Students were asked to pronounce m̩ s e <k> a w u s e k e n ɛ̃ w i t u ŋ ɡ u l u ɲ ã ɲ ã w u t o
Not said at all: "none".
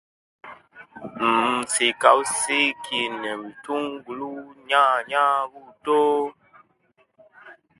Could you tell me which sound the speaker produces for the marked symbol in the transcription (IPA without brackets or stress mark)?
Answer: k